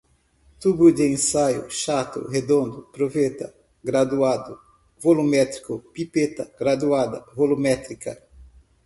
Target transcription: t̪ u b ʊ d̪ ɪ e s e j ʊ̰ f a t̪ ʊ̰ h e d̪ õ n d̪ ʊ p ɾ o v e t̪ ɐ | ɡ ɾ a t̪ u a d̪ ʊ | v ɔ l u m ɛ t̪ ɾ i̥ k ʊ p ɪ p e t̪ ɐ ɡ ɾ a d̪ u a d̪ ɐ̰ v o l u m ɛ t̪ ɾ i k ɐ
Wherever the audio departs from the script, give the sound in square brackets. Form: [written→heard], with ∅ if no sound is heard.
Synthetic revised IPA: t̪ u b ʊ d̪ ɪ [e→ẽ] s [e→a] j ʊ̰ [f→ʃ] a t̪ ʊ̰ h e d̪ õ n d̪ ʊ p ɾ o v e t̪ ɐ | ɡ ɾ a [t̪→d̪] u a d̪ ʊ | v [ɔ→o] l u m ɛ t̪ ɾ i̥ k ʊ p [ɪ→i] p e t̪ ɐ ɡ ɾ a d̪ u a d̪ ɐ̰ v o l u m ɛ t̪ ɾ i k ɐ